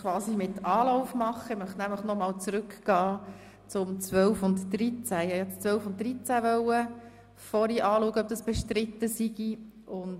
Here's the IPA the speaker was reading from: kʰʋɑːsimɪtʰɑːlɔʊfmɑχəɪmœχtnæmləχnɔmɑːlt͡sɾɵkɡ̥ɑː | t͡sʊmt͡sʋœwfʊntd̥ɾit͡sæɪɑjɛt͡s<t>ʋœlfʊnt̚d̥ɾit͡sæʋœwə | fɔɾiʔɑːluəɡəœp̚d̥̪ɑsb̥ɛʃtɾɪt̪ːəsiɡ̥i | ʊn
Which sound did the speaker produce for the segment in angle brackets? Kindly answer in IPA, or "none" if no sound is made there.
t͡s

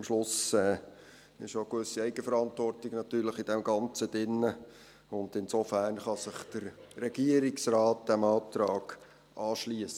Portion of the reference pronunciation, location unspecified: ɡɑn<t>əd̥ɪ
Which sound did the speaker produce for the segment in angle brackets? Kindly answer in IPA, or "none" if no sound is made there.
t͡s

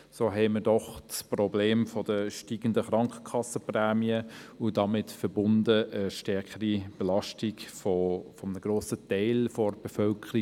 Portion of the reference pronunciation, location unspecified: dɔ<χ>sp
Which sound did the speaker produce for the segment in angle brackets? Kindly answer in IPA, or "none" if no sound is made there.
χ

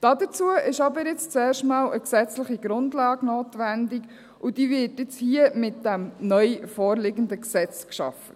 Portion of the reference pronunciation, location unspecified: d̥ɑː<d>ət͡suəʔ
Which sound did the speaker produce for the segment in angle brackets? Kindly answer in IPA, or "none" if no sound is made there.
d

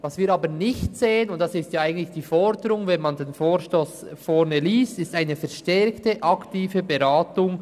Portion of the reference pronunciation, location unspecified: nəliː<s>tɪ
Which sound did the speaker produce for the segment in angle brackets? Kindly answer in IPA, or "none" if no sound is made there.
s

